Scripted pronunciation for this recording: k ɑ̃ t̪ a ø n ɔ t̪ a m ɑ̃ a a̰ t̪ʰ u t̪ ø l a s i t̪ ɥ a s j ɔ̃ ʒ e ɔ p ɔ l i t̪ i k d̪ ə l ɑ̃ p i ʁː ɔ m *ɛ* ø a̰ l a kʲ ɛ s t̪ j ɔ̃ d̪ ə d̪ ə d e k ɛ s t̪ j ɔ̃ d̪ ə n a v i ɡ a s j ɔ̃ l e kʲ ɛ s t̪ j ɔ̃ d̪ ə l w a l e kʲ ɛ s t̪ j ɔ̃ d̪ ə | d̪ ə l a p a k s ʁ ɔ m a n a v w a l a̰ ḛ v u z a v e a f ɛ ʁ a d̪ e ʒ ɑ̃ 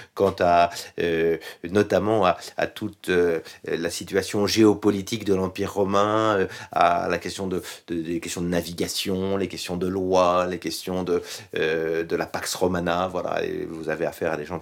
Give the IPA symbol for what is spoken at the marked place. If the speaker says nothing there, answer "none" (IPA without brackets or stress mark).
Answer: ɛ̃